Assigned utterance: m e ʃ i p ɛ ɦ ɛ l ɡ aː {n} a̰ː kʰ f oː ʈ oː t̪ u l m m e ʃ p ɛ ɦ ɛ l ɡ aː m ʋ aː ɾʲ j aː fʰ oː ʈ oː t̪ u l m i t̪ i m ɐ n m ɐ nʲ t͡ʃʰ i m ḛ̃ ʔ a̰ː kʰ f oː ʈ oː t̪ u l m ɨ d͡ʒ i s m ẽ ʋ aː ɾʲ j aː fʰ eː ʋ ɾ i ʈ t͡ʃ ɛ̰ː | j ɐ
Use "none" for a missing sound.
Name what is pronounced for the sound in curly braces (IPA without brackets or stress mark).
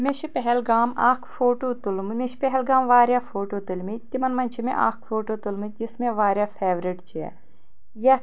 m